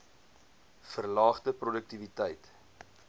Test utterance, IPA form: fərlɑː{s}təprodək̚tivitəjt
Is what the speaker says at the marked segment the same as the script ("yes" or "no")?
no